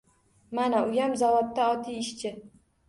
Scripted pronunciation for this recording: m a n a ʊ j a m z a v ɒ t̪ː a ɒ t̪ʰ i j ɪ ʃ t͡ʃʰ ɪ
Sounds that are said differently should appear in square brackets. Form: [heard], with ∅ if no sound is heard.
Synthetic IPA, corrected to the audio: m a n a ʊ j a m z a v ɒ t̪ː a ɒ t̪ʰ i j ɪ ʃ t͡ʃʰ ɪ